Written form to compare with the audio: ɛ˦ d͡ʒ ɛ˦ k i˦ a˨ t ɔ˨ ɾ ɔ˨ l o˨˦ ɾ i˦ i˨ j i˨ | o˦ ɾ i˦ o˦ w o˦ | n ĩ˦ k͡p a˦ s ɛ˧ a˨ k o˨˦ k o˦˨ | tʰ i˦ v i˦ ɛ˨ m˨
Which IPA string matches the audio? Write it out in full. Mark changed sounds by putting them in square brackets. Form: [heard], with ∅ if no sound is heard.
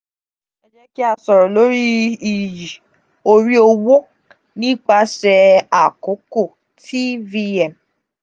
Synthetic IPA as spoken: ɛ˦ d͡ʒ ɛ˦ k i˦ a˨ [s] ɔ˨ ɾ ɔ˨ l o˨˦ ɾ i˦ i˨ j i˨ | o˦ ɾ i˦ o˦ w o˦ | n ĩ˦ k͡p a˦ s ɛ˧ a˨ k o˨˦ k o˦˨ | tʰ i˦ v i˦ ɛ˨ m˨